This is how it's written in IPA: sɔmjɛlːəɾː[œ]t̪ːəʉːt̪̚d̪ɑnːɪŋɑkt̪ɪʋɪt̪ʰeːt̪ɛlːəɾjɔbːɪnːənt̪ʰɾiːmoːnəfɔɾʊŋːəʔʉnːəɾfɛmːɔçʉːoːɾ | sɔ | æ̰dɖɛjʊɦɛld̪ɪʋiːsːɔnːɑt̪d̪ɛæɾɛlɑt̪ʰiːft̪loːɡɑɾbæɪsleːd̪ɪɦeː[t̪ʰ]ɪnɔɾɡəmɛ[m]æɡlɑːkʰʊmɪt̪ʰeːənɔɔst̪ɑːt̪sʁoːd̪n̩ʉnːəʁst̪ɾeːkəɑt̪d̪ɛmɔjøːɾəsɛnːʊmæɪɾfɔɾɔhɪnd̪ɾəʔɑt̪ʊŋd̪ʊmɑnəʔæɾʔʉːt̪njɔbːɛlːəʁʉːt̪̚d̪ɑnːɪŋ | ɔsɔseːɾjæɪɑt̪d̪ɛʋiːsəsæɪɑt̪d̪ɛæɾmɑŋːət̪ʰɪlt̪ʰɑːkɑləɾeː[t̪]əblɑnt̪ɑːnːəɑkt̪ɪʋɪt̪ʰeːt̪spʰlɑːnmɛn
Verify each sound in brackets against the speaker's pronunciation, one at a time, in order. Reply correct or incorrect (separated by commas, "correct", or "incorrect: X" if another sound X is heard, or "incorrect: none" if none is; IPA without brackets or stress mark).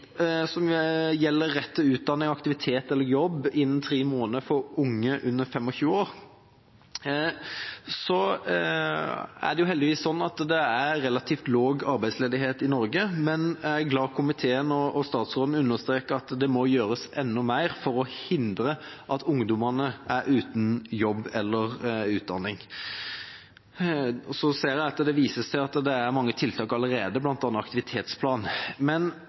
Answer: incorrect: ɛ, incorrect: t̪, incorrect: n, incorrect: d̪